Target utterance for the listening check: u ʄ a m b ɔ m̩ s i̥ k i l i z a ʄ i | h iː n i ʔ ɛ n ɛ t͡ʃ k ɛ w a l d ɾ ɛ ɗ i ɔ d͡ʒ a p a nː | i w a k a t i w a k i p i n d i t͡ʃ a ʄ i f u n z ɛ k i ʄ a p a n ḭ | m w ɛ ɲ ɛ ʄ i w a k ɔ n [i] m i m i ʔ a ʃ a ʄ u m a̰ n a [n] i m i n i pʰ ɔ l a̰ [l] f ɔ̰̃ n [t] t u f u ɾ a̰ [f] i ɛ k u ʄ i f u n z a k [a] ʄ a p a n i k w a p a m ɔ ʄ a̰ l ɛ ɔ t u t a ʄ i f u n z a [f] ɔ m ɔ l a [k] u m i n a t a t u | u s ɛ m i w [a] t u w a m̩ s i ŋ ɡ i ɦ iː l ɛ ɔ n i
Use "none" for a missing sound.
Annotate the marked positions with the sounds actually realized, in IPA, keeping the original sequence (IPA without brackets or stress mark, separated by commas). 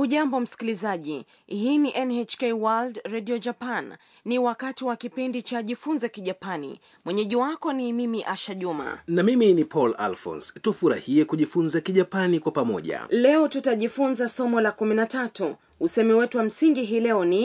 i, m, l, s, h, i, s, k, ɛ